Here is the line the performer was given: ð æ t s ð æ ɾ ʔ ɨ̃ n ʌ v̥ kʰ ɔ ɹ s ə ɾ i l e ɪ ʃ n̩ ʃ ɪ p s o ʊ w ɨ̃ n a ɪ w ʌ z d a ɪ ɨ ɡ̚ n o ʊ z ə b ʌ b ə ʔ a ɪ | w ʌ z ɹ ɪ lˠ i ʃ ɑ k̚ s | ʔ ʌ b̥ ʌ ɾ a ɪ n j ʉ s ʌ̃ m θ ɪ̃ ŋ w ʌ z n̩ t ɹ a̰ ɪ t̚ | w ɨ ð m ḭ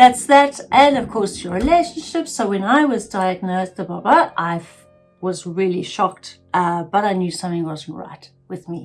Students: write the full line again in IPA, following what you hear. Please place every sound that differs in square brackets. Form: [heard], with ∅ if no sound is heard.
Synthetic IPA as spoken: ð æ t s ð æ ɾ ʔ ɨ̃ n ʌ v̥ kʰ ɔ ɹ s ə [ɹ] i l e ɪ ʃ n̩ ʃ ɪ p s o ʊ w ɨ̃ n a ɪ w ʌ z d a ɪ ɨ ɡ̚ n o ʊ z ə b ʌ b ə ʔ a ɪ | w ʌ z ɹ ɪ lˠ i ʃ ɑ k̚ [t] | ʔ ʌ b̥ ʌ ɾ a ɪ n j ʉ s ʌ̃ m θ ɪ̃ ŋ w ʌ z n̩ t ɹ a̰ ɪ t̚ | w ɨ ð m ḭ